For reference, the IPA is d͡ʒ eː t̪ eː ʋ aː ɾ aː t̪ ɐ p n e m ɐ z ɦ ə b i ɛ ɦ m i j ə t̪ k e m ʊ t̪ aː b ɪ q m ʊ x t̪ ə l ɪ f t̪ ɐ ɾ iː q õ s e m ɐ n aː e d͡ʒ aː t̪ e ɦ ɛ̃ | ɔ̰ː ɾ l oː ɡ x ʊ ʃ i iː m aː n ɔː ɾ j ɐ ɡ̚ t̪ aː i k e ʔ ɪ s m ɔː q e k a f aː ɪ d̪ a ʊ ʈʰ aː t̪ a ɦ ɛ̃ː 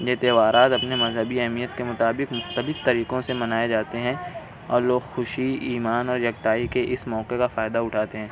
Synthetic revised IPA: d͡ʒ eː t̪ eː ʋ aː ɾ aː t̪ ɐ p n e m ɐ z ɦ ə b i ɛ ɦ m i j ə t̪ k e m ʊ t̪ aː b ɪ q m ʊ x t̪ ə l ɪ f t̪ ɐ ɾ iː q õ s e m ɐ n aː e d͡ʒ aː t̪ e ɦ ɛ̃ | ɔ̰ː ɾ l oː ɡ x ʊ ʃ i iː m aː n ɔː ɾ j ɐ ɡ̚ t̪ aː i k e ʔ ɪ s m ɔː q e k a f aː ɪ d̪ a ʊ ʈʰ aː t̪ e ɦ ɛ̃ː